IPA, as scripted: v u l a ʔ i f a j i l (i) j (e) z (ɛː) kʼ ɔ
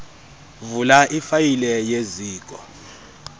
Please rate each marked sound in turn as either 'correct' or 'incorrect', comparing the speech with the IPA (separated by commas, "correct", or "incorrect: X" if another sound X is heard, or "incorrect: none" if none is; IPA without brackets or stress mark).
incorrect: ɛ, correct, incorrect: iː